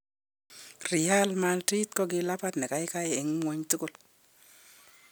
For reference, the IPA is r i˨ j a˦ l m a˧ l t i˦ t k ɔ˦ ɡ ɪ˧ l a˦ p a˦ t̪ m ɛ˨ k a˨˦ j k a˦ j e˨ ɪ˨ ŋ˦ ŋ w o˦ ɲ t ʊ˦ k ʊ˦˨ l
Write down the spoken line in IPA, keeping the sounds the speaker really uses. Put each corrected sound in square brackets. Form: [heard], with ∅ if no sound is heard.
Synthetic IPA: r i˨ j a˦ l m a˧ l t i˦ t k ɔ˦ ɡ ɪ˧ l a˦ p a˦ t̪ [n] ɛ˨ k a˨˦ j k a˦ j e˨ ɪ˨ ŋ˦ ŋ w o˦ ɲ t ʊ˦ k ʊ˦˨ l